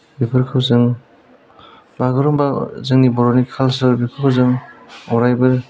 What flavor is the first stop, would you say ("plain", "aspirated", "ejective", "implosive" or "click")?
plain